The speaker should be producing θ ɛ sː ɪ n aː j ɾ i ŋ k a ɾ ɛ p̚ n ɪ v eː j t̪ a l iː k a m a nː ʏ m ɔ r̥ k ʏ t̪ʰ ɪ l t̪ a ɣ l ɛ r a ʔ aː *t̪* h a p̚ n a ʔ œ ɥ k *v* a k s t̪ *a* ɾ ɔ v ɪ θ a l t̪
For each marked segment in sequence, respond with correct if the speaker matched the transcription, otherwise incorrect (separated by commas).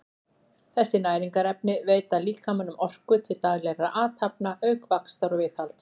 correct, correct, correct